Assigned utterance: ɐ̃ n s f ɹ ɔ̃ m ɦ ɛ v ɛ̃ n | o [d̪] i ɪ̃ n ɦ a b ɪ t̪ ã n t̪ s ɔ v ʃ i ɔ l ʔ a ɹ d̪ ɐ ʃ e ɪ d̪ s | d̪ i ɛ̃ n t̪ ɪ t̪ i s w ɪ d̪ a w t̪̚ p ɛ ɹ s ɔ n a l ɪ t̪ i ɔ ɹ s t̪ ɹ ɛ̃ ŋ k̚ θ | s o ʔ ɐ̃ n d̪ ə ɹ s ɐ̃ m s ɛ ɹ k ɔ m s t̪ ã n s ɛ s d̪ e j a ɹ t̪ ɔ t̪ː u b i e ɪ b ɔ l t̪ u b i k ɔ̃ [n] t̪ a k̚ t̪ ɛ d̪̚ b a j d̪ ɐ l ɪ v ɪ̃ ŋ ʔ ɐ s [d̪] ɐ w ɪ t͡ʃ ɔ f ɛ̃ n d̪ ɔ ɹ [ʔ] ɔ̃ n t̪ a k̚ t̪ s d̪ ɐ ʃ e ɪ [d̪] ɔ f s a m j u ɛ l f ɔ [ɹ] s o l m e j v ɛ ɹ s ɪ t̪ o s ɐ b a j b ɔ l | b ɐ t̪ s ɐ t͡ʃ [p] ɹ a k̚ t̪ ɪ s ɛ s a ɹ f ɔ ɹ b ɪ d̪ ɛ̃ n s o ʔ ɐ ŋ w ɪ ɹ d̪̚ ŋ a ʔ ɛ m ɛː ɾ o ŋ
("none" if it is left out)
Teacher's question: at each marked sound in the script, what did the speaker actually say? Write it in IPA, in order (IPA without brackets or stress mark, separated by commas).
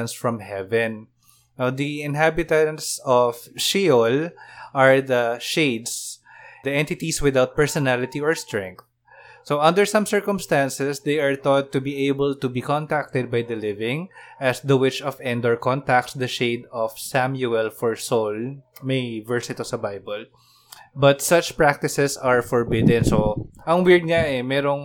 d̪, n, d̪, k, d̪, ɹ, p